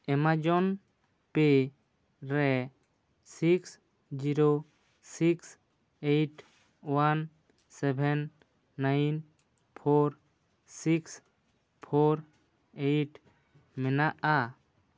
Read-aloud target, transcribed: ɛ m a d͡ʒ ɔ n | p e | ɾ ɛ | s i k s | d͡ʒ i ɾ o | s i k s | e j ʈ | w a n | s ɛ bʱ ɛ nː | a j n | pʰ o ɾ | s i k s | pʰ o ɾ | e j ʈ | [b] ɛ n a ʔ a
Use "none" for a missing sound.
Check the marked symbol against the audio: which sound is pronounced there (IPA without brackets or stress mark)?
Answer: m